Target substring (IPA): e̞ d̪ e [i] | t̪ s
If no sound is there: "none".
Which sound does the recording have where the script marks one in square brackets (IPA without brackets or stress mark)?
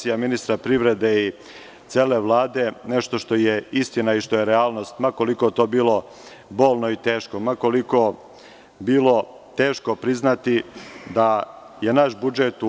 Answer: i